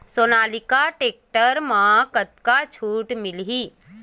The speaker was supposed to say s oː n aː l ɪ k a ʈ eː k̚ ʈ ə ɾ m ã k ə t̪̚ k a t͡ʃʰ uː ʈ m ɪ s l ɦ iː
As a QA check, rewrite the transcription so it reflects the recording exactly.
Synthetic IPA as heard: s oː n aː l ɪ k a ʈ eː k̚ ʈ ə ɾ m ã k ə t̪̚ k a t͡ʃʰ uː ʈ m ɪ l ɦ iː